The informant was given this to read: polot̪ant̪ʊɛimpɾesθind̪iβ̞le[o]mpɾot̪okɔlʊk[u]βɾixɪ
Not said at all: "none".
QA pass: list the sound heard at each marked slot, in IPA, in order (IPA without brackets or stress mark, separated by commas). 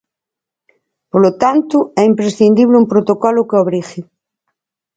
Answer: u, o